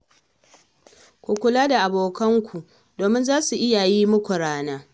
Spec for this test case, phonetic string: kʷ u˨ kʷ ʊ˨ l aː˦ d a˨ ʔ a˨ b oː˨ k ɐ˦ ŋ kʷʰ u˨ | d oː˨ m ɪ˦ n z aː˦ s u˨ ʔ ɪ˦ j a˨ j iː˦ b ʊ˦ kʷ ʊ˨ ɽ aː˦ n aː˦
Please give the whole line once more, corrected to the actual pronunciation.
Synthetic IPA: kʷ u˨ kʷ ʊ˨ l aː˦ d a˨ ʔ a˨ b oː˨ k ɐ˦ ŋ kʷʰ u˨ | d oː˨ m ɪ˦ n z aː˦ s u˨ ʔ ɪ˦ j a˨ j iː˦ m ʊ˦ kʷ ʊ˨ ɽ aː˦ n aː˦